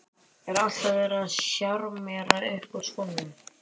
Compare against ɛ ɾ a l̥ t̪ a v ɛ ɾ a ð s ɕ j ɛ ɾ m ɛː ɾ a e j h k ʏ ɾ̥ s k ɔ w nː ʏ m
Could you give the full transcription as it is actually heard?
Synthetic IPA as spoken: ɛ ɾ a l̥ t̪ a v ɛ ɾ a ð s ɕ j a ɾ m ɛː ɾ a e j h k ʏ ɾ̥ s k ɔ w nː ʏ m